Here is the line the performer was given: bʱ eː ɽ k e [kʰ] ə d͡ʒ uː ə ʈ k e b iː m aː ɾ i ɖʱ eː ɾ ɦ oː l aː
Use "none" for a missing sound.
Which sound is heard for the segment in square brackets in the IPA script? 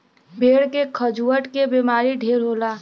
kʰ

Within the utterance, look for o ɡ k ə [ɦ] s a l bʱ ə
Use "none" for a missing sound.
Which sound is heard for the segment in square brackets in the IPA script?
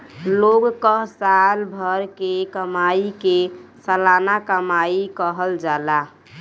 ɦ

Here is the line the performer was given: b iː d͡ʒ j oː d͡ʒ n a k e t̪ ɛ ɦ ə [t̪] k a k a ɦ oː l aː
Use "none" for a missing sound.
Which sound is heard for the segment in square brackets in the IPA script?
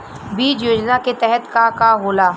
t̪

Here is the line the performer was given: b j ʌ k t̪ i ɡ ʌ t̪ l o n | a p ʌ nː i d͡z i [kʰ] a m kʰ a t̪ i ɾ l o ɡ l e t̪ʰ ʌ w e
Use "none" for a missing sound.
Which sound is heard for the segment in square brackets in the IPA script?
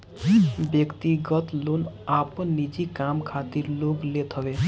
k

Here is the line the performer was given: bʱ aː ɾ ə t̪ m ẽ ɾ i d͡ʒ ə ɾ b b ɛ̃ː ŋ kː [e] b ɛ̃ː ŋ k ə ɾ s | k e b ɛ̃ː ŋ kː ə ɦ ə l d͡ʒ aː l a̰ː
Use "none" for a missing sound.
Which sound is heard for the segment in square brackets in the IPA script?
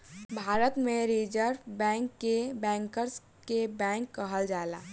e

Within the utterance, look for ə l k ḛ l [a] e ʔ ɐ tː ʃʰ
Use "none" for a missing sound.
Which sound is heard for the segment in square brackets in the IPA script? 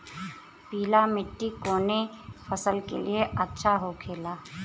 i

